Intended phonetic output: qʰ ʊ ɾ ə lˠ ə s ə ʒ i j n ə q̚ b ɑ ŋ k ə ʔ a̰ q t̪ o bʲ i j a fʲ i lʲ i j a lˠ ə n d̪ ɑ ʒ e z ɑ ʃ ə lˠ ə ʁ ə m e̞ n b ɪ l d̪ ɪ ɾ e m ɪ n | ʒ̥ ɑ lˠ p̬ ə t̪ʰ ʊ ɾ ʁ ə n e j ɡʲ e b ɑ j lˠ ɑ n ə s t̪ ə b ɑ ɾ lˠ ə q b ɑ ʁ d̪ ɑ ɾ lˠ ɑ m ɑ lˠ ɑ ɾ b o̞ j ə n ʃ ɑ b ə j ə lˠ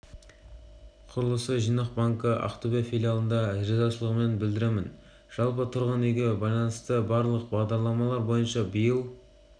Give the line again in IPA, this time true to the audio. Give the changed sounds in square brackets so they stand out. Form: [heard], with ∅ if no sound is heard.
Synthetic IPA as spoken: qʰ ʊ ɾ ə lˠ ə s ə ʒ i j n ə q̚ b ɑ ŋ k ə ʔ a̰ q t̪ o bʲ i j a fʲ i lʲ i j a lˠ ə n d̪ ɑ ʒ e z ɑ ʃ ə lˠ ə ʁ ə m e̞ n b ɪ l d̪ ɪ ɾ e m ɪ n | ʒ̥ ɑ lˠ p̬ ə t̪ʰ ʊ ɾ ʁ ə n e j ɡʲ e b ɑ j lˠ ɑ n ə s t̪ ə b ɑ ɾ lˠ ə q b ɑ ʁ d̪ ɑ ɾ lˠ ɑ m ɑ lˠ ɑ ɾ b o̞ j ə n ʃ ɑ b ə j ə lˠ